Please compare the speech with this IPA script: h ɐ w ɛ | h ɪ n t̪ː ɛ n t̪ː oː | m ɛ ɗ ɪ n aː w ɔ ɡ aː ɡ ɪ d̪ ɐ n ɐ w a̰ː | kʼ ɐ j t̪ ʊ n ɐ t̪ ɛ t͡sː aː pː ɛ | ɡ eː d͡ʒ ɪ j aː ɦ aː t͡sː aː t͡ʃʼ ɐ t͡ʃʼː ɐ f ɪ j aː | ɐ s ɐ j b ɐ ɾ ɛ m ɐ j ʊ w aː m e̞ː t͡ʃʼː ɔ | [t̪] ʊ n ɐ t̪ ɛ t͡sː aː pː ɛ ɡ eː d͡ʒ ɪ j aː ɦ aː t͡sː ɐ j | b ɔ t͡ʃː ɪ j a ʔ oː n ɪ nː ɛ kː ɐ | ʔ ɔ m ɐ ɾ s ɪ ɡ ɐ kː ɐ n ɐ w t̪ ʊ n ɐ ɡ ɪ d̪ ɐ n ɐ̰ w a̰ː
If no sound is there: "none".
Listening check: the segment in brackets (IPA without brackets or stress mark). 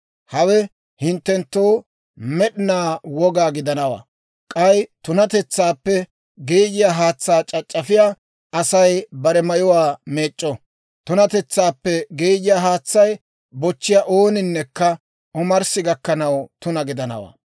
t̪